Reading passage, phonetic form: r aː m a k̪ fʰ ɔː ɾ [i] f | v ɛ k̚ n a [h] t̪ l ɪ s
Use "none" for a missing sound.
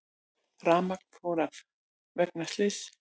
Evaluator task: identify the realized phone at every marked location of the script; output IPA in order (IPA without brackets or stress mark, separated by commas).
a, s